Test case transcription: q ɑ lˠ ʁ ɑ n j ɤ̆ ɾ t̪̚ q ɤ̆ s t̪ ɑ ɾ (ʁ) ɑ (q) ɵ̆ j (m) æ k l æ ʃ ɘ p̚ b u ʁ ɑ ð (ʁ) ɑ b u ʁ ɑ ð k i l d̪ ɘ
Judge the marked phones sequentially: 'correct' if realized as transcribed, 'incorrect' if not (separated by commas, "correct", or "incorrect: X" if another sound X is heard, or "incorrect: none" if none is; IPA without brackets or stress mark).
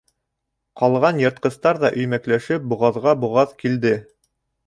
incorrect: ð, incorrect: ʔ, correct, correct